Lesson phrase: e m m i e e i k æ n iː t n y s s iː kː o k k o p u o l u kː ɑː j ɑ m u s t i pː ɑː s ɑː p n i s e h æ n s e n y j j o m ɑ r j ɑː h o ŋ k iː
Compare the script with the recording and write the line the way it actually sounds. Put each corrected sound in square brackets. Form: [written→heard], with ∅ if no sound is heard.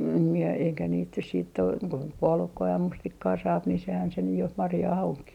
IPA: e m m i e e i k æ n iː t n y s s iː [kː→tː] o k k o p u o l u kː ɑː j ɑ m u s t i [pː→kː] ɑː s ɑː p n i s e h æ n s e n y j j o m ɑ r j ɑː h o ŋ k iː